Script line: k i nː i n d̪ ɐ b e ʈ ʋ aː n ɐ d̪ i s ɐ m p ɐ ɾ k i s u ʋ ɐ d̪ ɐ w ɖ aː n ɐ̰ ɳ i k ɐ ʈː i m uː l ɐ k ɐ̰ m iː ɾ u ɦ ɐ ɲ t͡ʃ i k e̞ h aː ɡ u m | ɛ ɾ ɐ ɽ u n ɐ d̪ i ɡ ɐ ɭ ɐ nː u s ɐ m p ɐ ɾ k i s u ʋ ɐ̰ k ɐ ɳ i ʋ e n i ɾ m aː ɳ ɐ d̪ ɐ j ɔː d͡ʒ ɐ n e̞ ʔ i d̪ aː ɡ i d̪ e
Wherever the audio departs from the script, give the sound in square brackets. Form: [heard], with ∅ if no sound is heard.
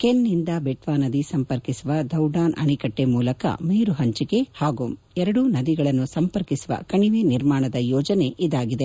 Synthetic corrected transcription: k [e] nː i n d̪ ɐ b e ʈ ʋ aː n ɐ d̪ i s ɐ m p ɐ ɾ k i s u ʋ ɐ d̪ ɐ w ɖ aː n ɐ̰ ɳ i k ɐ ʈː [e] m uː l ɐ k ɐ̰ m iː ɾ u ɦ ɐ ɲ t͡ʃ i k e̞ h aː ɡ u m | ɛ ɾ ɐ ɽ u n ɐ d̪ i ɡ ɐ ɭ ɐ nː u s ɐ m p ɐ ɾ k i s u ʋ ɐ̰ k ɐ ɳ i ʋ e n i ɾ m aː ɳ ɐ d̪ ɐ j ɔː d͡ʒ ɐ n e̞ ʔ i d̪ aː ɡ i d̪ e